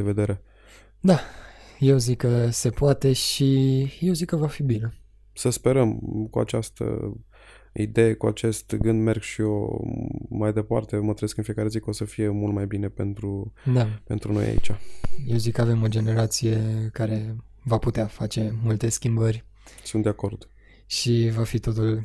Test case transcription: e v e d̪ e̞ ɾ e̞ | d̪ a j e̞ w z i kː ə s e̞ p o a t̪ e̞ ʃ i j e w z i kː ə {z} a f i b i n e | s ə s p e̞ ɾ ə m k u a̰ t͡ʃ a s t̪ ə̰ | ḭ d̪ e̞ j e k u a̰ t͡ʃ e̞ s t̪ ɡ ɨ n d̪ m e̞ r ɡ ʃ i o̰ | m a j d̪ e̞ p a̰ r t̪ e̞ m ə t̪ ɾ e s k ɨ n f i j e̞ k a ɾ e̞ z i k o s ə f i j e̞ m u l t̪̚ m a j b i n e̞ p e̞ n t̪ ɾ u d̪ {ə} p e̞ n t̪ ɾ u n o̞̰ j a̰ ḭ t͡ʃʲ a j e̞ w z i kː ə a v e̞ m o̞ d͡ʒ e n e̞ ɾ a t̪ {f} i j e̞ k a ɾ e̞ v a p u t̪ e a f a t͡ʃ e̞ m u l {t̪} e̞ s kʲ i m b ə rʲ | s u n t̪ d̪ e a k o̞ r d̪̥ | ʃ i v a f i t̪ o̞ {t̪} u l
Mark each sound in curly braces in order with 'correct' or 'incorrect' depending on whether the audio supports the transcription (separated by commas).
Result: incorrect, incorrect, incorrect, correct, correct